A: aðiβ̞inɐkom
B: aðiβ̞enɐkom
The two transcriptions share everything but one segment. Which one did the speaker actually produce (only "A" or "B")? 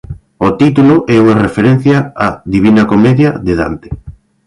A